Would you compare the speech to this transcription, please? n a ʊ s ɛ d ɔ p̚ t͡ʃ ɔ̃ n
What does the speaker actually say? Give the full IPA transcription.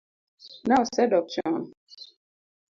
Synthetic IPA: n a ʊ s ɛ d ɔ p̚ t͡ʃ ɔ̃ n